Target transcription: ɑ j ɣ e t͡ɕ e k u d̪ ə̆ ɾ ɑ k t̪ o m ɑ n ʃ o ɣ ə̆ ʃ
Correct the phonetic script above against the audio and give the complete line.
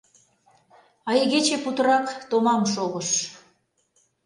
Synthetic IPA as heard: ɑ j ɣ e t͡ɕ e p u t̪ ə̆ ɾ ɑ k t̪ o m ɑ m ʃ o ɣ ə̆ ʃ